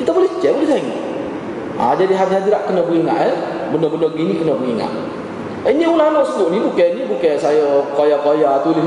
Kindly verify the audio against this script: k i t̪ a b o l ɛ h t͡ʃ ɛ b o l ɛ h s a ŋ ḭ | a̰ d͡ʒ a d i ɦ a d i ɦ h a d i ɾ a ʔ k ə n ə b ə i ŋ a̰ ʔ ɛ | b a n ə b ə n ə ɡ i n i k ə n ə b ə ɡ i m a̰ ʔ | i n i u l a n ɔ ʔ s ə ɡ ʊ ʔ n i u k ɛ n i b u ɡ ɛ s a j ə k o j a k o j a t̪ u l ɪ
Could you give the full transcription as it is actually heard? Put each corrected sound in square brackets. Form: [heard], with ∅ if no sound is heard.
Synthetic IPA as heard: k i t̪ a b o l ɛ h t͡ʃ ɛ b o l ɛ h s a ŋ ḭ | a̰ d͡ʒ a d i ɦ a d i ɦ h a d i ɾ a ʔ k ə n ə b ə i ŋ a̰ ʔ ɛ | b [ə] n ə b ə n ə ɡ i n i k ə n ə b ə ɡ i [ŋ] a̰ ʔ | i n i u l a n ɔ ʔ s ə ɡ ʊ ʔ n i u k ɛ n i b u [k] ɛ s a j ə k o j a k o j a t̪ u l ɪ